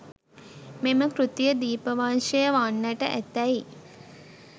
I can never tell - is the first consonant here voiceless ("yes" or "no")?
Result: no